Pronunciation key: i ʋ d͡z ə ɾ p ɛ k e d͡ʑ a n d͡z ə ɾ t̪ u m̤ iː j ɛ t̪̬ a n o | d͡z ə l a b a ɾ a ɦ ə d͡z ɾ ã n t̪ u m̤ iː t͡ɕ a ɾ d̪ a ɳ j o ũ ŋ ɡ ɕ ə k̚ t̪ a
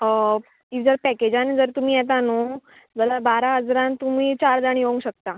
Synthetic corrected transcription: i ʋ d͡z ə ɾ p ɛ k e d͡ʑ a n d͡z ə ɾ t̪ u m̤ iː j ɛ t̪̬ a n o | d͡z ə l a b a ɾ a ɦ ə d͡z ɾ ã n t̪ u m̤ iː t͡ɕ a ɾ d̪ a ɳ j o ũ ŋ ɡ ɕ ə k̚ t̪ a

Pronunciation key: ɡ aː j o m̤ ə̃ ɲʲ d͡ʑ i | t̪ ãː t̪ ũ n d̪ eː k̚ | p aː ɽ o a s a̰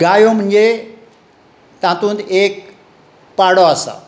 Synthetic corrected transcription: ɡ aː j o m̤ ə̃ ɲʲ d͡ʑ e | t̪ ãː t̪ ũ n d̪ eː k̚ | p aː ɽ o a s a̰

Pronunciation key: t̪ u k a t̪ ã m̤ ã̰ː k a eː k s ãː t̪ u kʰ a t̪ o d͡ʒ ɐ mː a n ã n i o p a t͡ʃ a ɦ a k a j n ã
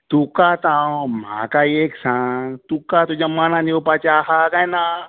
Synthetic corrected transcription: t̪ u k a t̪ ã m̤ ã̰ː k a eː k s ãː t̪ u k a t̪ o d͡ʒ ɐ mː a n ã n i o p a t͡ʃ a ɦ a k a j n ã

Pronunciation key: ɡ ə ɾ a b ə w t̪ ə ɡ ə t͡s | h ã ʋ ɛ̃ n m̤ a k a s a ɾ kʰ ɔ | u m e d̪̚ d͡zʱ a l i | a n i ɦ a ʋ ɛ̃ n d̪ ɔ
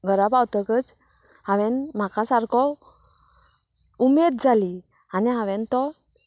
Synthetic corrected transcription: ɡ ə ɾ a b a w t̪ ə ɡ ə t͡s | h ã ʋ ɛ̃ n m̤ a k a s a ɾ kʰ ɔ | u m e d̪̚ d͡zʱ a l i | a n i ɦ a ʋ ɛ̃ n t̪ ɔ

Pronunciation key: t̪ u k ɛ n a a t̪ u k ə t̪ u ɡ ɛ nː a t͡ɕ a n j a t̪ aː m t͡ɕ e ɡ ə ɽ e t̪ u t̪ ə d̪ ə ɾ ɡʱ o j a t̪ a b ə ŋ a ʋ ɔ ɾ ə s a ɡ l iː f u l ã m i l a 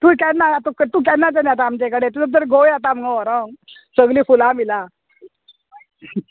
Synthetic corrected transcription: t̪ u k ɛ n a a t̪ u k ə t̪ u k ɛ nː a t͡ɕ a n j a t̪ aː m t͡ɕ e k ə ɽ e t̪ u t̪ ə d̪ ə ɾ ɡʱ o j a t̪ a m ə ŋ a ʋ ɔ ɾ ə s ə ɡ l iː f u l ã m i l a

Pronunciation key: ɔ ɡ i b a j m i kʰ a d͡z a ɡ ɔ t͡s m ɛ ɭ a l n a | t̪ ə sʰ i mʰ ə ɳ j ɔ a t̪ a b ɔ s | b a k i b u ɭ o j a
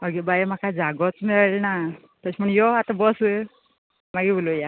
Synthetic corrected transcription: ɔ ɡ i b a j m a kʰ a d͡z a ɡ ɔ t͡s m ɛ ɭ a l n a | t̪ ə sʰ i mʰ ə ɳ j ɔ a t̪ a b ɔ s | m a ɡ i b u l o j a

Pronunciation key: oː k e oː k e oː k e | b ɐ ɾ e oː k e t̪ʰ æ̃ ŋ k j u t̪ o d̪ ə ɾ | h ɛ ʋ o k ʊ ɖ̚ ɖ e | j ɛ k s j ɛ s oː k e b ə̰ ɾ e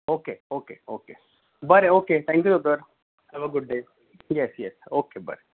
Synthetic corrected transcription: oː k e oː k e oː k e | b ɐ ɾ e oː k e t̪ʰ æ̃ ŋ k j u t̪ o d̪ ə ɾ | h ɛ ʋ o ɡ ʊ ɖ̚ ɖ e | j ɛ s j ɛ s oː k e b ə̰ ɾ e

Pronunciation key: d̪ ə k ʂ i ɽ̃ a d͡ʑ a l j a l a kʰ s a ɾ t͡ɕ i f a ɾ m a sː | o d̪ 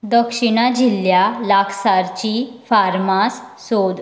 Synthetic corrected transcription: d̪ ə k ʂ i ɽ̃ a d͡ʑ i l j a l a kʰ s a ɾ t͡ɕ i f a ɾ m a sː | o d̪

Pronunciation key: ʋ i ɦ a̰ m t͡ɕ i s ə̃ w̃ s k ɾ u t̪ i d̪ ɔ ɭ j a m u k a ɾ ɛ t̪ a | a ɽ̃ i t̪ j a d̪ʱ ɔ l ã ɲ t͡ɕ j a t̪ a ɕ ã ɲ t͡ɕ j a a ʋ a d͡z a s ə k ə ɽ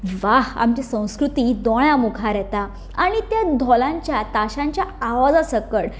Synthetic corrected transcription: ʋ a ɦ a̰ m t͡ɕ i s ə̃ w̃ s k ɾ u t̪ i d̪ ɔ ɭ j a m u kʰ a ɾ ɛ t̪ a | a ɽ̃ i t̪ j a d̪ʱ ɔ l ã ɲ t͡ɕ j a t̪ a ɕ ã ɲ t͡ɕ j a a ʋ a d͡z a s ə k ə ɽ

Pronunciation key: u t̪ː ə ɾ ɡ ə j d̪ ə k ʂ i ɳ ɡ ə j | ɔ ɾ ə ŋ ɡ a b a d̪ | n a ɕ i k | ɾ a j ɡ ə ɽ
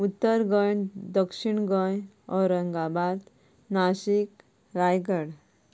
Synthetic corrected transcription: u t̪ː ə ɾ ɡ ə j d̪ ə k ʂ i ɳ ɡ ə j | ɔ ɾ ə ŋ ɡ a b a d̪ | n a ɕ i k | ɾ a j ɡ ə ɽ

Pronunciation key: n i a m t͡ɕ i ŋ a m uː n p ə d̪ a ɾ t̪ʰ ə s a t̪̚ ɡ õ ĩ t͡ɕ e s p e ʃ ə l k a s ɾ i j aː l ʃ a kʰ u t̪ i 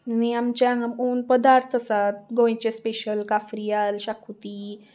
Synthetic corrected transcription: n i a m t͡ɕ a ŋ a m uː n p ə d̪ a ɾ t̪ʰ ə s a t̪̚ ɡ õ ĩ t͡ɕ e s p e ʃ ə l k a f ɾ i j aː l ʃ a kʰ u t̪ i

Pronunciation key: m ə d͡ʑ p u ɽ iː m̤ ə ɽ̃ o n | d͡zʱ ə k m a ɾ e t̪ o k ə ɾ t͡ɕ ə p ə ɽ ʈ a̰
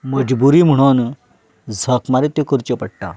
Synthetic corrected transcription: m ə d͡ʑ b u ɾ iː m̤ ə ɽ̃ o n | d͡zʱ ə k m a ɾ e t̪ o k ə ɾ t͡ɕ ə p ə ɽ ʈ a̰

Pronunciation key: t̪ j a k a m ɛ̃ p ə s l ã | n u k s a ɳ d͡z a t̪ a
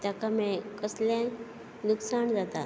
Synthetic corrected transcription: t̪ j a k a m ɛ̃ k ə s l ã | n u k s a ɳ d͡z a t̪ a

